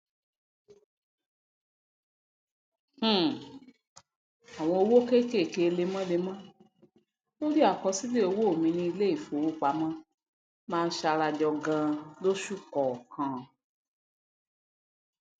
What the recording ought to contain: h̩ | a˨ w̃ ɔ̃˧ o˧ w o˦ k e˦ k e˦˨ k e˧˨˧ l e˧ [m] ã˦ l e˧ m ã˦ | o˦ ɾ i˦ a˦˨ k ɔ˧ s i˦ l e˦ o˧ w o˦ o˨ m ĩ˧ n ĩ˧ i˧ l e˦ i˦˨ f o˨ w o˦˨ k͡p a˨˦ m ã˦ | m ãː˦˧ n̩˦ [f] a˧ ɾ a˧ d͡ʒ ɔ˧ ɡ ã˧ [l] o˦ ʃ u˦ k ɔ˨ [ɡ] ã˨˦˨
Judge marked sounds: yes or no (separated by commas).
yes, no, yes, no